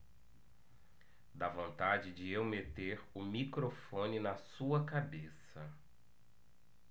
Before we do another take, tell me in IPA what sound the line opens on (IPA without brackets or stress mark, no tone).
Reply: d̪